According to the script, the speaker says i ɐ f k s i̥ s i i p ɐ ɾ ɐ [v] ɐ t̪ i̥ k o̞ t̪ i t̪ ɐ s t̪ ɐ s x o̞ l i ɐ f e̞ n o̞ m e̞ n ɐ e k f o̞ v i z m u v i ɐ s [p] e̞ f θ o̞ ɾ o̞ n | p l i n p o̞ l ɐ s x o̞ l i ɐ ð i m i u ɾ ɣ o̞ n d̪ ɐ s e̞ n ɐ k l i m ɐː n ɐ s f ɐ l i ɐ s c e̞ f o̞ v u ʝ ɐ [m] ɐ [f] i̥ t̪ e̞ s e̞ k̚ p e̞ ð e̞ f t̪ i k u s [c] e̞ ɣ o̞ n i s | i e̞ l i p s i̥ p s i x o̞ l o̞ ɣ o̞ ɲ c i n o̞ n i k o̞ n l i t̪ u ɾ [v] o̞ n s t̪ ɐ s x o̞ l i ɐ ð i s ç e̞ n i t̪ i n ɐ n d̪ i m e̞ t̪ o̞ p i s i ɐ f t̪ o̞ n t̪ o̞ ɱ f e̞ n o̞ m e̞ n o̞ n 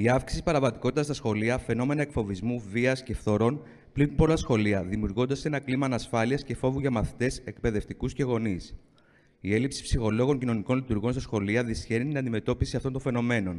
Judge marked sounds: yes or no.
yes, no, yes, no, yes, no

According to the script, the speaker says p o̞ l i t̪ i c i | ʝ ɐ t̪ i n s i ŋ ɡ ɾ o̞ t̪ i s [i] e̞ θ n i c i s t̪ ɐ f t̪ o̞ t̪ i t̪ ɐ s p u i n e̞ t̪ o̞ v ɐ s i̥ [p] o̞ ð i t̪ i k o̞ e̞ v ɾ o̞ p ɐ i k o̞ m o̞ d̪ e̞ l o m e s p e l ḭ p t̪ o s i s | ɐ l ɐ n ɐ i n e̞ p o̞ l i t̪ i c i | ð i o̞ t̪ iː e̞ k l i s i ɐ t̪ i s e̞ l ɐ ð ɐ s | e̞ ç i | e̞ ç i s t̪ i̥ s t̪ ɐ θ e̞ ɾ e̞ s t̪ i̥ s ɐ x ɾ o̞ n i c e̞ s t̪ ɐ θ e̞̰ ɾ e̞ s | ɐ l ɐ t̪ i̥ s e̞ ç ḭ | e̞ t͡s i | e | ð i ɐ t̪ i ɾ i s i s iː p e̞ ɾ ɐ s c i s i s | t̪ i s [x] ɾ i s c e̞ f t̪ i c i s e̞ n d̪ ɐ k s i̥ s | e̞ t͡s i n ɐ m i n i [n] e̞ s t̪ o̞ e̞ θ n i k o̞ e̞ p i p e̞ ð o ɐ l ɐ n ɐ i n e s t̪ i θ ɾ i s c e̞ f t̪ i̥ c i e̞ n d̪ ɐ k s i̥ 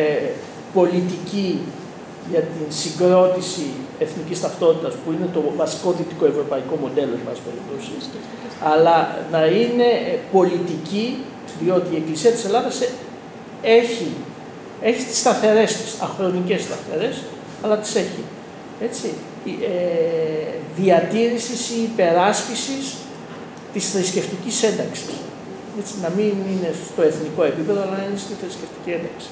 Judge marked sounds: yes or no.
yes, no, no, yes

